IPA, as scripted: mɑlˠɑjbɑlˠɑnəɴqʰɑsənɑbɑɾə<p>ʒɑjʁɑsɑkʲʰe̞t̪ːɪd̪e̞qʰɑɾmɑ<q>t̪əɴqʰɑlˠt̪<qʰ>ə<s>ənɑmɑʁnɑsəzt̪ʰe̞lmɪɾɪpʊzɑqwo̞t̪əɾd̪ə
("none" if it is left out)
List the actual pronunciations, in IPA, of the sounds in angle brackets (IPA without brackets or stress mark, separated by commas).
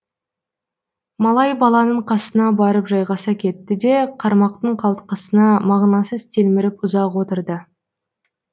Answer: p, q, q, s